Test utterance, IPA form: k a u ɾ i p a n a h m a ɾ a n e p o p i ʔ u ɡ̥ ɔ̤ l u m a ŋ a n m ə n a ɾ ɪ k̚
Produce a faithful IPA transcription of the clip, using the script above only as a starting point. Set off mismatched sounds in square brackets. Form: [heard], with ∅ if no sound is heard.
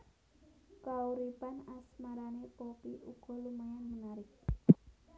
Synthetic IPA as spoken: k a u ɾ i p a n a [s] m a ɾ a n e p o p i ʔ u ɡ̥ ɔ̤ l u m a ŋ a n m ə n a ɾ ɪ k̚